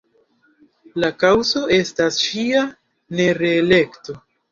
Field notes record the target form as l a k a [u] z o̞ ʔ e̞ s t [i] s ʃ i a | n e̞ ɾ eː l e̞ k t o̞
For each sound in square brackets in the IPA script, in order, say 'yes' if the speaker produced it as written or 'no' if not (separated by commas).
no, no